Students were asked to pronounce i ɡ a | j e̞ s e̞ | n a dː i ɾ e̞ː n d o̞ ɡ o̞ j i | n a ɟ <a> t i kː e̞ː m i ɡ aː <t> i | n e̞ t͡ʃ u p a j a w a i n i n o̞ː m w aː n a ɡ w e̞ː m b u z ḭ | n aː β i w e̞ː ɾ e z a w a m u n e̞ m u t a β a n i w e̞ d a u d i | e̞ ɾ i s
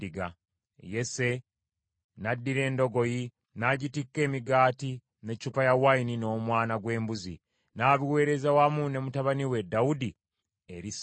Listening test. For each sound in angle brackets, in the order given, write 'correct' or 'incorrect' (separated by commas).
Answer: incorrect, correct